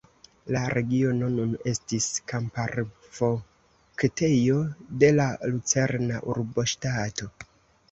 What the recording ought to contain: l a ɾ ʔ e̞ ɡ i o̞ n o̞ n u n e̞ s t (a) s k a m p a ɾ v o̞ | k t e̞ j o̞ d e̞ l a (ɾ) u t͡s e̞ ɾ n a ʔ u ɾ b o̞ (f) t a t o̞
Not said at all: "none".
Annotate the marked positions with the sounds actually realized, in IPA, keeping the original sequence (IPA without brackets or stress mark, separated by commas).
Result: i, l, ʃ